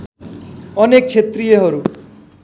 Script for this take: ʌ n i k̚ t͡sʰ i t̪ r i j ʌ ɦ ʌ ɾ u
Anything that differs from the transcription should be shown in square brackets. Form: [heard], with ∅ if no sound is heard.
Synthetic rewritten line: ʌ n [e] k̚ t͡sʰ [e] t̪ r i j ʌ ɦ ʌ ɾ u